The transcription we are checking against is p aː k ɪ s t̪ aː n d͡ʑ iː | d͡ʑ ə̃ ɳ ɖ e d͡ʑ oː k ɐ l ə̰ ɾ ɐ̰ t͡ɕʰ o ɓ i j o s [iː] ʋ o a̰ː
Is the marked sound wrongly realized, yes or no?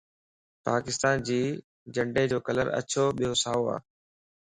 yes